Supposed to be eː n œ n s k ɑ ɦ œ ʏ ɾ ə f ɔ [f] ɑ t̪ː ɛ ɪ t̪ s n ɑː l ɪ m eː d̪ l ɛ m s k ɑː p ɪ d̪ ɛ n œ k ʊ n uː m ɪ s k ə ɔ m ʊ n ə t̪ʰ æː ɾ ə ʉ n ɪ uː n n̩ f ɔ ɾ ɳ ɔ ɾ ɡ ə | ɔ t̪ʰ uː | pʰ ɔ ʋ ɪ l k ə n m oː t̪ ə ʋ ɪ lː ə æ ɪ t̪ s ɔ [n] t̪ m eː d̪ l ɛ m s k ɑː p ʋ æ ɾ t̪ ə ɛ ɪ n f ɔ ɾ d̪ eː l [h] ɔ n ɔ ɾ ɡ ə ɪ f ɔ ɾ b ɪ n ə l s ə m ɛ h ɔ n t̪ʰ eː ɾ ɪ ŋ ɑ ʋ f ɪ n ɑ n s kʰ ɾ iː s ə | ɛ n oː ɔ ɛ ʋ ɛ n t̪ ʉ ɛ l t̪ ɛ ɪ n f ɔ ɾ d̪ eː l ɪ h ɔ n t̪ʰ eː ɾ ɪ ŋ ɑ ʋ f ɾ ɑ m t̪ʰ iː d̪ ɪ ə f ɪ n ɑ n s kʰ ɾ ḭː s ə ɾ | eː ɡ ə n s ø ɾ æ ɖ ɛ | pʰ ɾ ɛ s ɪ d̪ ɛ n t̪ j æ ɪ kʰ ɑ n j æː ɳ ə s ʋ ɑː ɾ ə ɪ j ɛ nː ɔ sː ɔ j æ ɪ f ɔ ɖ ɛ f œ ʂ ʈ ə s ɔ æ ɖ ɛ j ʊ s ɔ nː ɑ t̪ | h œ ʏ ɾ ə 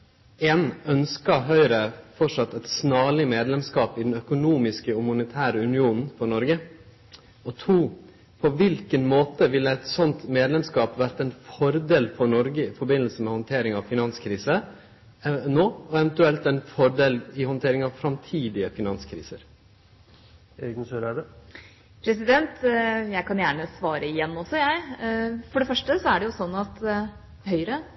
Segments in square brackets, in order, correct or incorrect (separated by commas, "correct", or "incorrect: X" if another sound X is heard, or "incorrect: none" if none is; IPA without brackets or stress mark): incorrect: ʂ, correct, incorrect: f